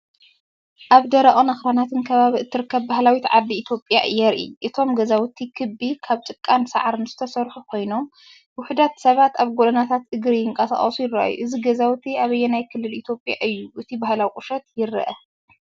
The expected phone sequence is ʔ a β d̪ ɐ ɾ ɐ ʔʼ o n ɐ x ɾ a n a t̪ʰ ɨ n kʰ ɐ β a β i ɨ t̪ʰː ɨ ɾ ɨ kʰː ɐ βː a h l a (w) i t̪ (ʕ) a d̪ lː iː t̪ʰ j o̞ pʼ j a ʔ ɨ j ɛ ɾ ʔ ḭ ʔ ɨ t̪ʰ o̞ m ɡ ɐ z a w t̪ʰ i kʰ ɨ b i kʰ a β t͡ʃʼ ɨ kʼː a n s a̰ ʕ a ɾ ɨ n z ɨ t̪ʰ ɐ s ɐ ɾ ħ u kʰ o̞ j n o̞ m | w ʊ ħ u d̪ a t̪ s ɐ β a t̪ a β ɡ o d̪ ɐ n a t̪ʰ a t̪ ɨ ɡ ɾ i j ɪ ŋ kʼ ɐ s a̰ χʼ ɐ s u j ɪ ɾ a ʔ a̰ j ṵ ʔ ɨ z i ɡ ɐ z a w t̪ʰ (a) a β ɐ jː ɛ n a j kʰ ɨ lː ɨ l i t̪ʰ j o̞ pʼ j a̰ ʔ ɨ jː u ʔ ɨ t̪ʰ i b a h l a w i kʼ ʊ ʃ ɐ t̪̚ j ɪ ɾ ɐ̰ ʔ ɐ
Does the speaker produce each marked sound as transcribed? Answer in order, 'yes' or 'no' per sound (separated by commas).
yes, yes, no